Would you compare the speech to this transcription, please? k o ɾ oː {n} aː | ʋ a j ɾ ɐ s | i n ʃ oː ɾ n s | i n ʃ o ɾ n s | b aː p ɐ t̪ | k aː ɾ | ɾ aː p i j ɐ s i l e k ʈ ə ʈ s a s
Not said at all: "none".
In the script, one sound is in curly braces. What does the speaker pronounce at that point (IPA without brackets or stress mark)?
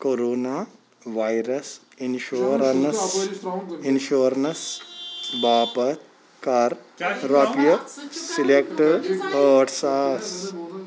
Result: n